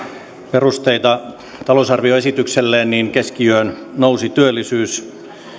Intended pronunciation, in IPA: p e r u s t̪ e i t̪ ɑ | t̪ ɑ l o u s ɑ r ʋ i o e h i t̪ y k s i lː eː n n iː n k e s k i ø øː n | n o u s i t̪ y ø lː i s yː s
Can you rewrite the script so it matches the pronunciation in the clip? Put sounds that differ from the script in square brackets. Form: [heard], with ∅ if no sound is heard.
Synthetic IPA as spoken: p e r u s t̪ e i t̪ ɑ | t̪ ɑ l o u s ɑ r ʋ i o e [s] i t̪ y k s [e] lː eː n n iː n k e s k i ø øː n | n o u s i t̪ y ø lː i s yː s